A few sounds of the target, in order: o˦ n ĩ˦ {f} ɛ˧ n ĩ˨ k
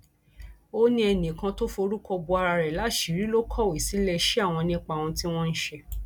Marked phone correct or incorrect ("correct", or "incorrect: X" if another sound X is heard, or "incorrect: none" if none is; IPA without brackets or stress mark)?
incorrect: none